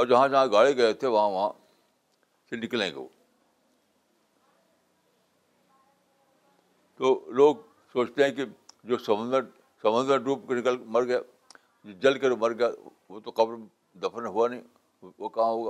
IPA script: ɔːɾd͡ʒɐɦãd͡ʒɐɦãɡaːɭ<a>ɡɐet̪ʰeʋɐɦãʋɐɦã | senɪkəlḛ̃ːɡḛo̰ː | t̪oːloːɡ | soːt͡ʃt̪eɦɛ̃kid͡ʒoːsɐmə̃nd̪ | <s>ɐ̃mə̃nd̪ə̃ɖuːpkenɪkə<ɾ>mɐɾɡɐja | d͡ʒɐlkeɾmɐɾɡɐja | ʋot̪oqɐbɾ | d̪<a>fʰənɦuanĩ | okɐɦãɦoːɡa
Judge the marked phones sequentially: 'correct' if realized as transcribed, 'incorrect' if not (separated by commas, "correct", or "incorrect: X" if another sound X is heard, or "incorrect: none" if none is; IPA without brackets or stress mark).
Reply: incorrect: e, correct, incorrect: l, incorrect: ɐ